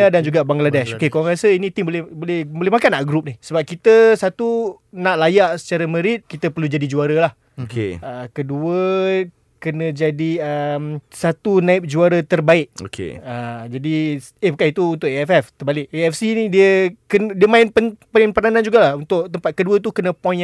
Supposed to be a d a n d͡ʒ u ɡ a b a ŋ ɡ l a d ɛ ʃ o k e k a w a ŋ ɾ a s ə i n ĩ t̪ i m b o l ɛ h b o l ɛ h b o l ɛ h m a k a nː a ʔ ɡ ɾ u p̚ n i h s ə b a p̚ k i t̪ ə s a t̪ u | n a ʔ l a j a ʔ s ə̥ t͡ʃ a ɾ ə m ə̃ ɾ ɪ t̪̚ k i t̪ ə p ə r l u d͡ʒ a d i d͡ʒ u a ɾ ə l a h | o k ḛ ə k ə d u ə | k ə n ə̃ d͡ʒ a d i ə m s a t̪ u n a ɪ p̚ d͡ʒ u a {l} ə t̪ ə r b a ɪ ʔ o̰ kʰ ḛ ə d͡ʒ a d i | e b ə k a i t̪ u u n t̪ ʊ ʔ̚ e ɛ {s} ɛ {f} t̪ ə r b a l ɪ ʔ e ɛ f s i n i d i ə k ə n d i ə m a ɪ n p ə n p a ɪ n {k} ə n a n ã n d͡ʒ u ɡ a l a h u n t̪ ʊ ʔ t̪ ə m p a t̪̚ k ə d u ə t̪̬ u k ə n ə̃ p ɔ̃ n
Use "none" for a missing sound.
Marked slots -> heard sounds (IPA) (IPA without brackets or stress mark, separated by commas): ɾ, f, f, p